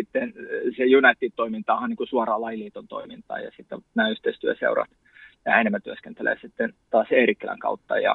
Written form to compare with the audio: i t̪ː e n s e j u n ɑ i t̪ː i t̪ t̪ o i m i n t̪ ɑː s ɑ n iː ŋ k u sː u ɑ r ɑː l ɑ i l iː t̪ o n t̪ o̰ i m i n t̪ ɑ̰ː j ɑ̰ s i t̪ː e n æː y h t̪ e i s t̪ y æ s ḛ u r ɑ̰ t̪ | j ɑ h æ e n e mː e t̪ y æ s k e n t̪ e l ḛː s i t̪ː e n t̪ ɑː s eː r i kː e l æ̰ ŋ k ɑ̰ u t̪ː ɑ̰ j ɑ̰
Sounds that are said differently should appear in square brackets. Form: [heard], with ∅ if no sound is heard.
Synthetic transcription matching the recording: i t̪ː e n s e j u n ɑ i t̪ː i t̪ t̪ o i m i n t̪ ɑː [h] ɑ n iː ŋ k u [s] u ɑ r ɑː l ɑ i l iː t̪ o n t̪ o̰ i m i n t̪ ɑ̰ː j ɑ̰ s i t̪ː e n æː y h t̪ e i s t̪ y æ s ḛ u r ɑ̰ t̪ | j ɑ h æ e n e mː [æ] t̪ y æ s k e n t̪ e l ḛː s i t̪ː e n t̪ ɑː s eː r i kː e l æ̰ ŋ k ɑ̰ u t̪ː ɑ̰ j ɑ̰